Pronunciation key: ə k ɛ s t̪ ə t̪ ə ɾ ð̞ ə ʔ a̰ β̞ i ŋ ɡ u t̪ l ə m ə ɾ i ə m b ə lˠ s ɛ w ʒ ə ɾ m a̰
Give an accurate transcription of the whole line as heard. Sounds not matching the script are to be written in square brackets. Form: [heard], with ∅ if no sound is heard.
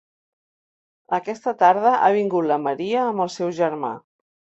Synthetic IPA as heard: ə k ɛ s t̪ ə t̪ [a] ɾ ð̞ ə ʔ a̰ β̞ i ŋ ɡ u t̪ l ə m ə ɾ i [əː] m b ə lˠ s ɛ w ʒ ə ɾ m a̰